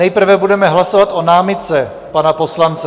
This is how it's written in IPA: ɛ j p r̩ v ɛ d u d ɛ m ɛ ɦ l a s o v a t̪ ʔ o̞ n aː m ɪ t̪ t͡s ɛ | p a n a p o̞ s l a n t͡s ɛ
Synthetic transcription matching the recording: ɛ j p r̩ v ɛ b u d ɛ m ɛ ɦ l a s o v a t̪ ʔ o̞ n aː m ɪ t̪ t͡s ɛ | p a n a p o̞ s l a n t͡s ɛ